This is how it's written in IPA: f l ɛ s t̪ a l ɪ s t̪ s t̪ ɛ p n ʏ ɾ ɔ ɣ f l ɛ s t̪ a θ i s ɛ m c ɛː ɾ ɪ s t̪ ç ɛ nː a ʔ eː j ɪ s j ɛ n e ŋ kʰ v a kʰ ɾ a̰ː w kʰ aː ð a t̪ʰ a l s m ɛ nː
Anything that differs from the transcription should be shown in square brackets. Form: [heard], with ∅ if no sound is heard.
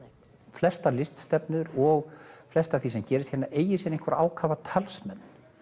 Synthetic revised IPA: f l ɛ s t̪ a l ɪ s t̪ s t̪ ɛ p n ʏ ɾ ɔ ɣ f l ɛ s t̪ a θ i s ɛ m c ɛː ɾ ɪ s t̪ ç ɛ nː a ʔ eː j ɪ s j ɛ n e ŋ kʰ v a [∅] ɾ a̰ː w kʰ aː [v] a t̪ʰ a l s m ɛ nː